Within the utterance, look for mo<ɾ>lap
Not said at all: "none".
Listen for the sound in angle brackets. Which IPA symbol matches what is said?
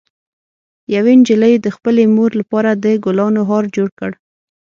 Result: ɾ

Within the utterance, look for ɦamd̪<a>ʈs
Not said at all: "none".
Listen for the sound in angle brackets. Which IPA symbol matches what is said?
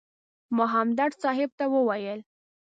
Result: a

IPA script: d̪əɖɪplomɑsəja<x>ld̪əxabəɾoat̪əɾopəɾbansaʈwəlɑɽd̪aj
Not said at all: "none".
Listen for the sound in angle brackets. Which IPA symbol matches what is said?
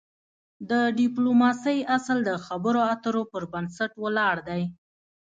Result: s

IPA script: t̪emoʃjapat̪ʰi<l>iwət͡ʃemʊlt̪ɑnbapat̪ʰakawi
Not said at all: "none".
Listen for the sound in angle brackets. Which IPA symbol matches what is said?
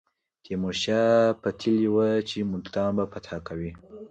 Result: l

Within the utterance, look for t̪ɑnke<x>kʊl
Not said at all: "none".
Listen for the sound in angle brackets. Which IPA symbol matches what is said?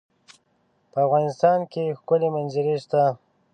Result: x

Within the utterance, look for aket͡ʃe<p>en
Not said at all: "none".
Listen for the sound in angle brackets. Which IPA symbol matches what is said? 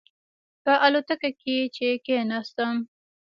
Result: k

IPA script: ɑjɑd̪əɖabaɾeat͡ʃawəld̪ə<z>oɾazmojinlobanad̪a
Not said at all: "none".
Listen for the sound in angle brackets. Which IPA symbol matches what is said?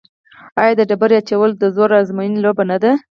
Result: z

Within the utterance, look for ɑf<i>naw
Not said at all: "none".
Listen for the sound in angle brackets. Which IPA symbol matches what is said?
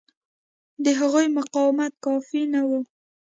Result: i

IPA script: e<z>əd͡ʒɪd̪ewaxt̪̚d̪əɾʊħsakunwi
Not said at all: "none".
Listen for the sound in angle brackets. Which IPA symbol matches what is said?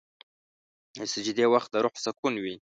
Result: s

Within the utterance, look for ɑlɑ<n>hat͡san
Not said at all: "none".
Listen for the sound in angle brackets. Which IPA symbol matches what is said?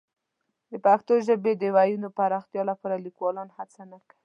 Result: n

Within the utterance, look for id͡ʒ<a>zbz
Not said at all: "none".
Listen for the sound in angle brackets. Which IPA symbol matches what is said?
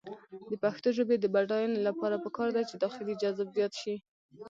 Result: a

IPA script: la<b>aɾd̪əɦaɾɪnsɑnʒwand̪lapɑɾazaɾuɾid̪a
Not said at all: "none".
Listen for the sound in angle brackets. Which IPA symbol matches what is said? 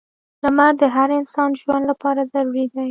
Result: m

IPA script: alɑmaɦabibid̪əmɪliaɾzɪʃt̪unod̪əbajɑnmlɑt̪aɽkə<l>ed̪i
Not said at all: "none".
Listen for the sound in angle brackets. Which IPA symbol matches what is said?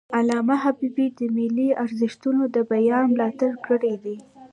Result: ɽ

